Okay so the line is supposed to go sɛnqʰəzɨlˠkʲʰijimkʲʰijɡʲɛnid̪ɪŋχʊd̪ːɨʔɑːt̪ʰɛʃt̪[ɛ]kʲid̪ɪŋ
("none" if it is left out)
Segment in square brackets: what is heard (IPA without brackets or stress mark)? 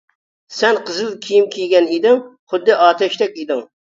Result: ɛ